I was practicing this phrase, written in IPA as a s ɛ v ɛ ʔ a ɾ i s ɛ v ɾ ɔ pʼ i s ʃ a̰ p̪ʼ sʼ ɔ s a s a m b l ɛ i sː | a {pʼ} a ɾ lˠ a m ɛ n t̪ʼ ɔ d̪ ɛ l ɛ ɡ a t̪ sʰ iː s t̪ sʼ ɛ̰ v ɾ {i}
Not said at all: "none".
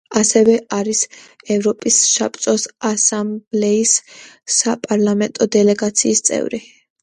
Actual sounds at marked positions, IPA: pʼ, i

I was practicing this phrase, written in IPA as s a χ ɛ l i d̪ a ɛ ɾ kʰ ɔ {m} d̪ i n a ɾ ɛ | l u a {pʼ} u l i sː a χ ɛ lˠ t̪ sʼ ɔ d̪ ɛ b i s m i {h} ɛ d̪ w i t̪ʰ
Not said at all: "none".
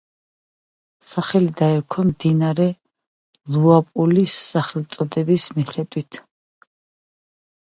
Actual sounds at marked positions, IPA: m, pʼ, χ

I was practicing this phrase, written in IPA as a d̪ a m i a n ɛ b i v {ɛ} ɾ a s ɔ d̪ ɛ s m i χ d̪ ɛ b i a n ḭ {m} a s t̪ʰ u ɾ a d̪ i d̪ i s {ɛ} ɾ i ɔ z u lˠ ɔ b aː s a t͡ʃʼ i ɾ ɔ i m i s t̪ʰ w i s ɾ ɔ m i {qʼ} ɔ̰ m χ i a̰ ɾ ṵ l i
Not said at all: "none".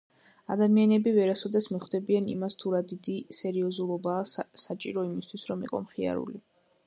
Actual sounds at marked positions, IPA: ɛ, m, ɛ, qʼ

